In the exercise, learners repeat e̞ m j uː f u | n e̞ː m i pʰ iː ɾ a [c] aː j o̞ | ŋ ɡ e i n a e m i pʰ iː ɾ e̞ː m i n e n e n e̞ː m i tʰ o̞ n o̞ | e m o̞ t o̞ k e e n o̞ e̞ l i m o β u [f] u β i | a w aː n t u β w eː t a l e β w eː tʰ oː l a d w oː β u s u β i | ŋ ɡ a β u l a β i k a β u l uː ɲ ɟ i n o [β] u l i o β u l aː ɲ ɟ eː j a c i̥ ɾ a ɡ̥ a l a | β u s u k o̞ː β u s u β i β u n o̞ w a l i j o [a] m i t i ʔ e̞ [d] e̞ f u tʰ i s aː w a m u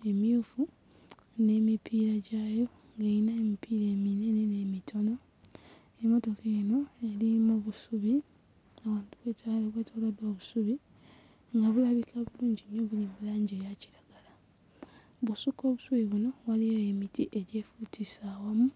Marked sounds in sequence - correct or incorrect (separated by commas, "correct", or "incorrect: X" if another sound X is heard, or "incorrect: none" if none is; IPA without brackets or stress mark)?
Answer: incorrect: ɟ, incorrect: s, correct, incorrect: e, incorrect: ɟ